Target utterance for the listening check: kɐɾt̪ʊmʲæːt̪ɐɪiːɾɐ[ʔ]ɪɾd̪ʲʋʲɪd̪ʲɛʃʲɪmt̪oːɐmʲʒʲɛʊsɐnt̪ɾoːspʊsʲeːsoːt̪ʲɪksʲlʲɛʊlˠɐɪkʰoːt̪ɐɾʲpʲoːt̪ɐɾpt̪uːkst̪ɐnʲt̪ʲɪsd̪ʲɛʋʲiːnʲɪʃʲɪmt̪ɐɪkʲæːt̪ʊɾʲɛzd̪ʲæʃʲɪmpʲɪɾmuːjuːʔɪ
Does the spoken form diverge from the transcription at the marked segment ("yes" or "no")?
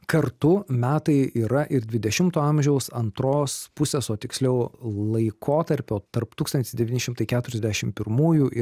no